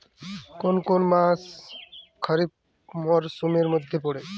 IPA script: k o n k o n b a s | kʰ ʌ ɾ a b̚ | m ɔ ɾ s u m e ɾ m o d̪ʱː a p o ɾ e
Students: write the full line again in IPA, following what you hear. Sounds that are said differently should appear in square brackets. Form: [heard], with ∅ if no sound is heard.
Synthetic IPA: k o n k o n [m] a s | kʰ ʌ ɾ [i] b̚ | m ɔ ɾ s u m e ɾ m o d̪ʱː [e] p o [ɽ] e